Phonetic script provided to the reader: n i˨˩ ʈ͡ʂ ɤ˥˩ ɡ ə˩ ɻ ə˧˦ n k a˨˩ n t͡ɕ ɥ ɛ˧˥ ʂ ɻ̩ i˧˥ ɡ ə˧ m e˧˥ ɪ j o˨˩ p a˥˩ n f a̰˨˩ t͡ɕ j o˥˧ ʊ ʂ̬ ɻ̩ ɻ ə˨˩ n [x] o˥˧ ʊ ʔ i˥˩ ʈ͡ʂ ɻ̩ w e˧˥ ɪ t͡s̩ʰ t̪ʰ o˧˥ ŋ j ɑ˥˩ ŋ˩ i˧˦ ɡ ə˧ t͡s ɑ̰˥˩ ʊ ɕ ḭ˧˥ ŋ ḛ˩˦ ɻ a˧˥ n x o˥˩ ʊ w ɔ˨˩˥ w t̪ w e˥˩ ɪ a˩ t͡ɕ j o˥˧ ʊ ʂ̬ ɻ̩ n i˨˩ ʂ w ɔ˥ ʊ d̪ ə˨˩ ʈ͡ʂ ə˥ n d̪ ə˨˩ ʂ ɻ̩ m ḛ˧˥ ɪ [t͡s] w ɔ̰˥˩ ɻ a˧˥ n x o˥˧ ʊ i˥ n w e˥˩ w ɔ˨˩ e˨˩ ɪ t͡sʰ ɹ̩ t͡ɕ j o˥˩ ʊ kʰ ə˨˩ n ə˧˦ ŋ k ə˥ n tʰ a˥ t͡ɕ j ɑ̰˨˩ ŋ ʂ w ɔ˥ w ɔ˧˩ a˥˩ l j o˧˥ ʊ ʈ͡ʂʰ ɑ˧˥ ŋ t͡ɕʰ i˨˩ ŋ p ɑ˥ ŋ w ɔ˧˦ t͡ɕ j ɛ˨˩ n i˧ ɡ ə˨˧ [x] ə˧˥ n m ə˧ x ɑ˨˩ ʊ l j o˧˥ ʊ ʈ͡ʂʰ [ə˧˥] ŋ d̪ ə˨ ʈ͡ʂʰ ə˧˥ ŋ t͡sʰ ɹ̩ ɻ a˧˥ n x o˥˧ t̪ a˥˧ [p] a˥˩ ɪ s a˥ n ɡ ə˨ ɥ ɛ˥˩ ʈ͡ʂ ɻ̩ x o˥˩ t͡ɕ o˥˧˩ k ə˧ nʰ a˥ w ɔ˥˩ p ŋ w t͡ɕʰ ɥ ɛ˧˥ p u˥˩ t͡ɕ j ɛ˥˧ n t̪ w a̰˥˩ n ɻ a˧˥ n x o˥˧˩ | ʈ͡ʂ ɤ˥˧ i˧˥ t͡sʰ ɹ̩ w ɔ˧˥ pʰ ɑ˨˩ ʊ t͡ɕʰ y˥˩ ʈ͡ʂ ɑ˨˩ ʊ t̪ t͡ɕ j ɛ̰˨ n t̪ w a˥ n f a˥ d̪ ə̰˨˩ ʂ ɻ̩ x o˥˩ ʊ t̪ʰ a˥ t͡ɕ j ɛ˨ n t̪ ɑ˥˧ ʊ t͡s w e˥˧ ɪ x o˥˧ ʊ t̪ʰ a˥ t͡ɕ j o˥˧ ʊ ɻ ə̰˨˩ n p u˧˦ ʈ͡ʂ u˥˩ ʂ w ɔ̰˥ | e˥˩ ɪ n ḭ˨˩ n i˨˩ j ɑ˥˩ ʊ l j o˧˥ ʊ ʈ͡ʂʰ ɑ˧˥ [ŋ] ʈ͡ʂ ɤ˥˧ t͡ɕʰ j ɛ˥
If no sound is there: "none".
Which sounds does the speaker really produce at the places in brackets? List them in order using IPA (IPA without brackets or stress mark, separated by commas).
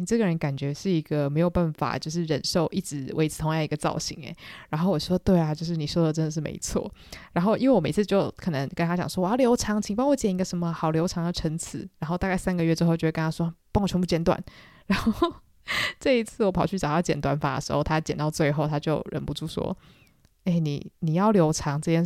ʂ, t͡sʰ, ʂ, ɑ˧˥, k, ŋ